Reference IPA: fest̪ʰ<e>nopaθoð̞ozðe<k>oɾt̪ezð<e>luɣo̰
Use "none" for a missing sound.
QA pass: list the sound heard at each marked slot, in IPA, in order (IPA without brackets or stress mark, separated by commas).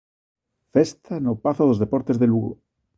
a, p, e